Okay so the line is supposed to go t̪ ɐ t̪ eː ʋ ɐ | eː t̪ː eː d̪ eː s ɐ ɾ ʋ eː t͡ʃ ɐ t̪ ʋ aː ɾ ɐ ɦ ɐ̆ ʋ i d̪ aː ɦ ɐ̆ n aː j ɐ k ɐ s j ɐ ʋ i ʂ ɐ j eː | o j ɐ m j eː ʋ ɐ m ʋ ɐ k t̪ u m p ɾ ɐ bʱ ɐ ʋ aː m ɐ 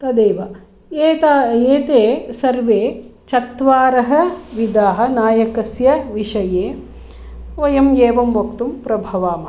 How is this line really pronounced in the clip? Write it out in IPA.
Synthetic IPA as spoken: t̪ ɐ d̪ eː ʋ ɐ | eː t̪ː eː t̪ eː s ɐ ɾ ʋ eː t͡ʃ ɐ t̪ ʋ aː ɾ ɐ ɦ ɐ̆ ʋ i d̪ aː ɦ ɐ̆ n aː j ɐ k ɐ s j ɐ ʋ i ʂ ɐ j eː | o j ɐ m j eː ʋ ɐ m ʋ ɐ k t̪ u m p ɾ ɐ bʱ ɐ ʋ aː m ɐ